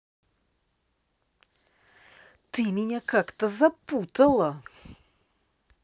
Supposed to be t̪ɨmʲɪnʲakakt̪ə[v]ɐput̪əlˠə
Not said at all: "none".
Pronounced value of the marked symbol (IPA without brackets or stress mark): z